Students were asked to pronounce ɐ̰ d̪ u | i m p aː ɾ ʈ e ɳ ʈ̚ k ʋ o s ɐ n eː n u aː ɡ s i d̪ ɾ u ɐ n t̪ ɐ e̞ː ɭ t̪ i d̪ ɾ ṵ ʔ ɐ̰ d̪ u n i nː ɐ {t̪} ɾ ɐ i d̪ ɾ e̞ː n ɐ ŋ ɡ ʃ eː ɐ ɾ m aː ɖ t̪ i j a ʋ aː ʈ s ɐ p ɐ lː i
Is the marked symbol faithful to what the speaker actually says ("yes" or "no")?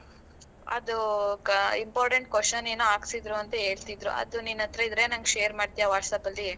yes